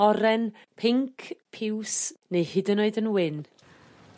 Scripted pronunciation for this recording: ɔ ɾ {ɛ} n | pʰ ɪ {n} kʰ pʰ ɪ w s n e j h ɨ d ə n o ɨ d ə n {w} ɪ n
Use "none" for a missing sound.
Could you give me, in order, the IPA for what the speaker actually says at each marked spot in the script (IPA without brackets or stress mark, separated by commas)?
ɛ, ŋ, w